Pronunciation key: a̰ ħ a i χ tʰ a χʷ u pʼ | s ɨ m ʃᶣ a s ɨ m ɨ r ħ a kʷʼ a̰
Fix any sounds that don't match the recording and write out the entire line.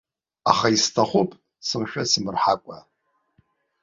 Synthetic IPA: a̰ χ a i s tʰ a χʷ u pʼ | s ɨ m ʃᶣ a s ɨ m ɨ r ħ a kʷʼ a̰

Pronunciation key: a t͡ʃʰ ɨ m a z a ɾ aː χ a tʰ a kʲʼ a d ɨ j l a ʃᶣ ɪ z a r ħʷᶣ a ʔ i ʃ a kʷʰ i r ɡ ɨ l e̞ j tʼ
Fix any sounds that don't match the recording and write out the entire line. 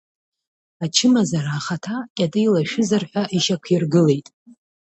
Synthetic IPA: a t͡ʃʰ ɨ m a z a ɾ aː χ a tʰ a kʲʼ a d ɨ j l a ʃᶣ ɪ z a r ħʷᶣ a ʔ i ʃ a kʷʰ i r ɡ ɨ l e̞ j tʼ

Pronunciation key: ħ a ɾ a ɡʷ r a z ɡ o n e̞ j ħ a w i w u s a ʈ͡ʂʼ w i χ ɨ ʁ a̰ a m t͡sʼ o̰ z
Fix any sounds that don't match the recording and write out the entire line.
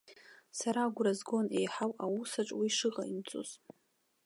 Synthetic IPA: s a ɾ a ɡʷ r a z ɡ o n e̞ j ħ a w a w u s a ʈ͡ʂʼ w i ʂ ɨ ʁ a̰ i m t͡sʼ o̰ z

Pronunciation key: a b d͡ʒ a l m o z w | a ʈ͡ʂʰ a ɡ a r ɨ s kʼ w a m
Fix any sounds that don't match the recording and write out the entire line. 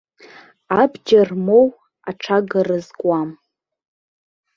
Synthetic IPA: a b d͡ʒ a r m o w | a ʈ͡ʂʰ a ɡ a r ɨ z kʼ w a m

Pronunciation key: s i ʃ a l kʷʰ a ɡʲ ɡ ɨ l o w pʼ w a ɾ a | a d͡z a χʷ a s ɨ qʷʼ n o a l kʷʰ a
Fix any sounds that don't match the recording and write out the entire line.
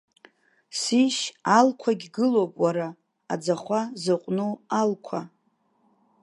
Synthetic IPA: s i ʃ a l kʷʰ a ɡʲ ɡ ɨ l o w pʼ w a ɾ a | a d͡z a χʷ a z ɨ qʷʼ n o a l kʷʰ a

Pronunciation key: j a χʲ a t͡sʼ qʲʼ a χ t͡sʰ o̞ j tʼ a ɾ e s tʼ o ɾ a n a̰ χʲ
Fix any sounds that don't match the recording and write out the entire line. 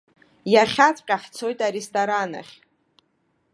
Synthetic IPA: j a χʲ a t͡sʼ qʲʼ a ħ t͡sʰ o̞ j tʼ a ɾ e s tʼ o ɾ a n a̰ χʲ

